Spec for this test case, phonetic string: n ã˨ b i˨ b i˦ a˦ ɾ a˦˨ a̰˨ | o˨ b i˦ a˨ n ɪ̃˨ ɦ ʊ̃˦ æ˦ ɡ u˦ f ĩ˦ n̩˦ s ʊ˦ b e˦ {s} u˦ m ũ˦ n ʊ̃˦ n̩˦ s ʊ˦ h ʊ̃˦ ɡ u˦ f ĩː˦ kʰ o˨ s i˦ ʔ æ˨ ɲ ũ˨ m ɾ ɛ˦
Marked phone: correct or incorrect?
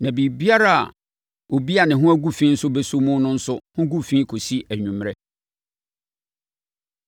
correct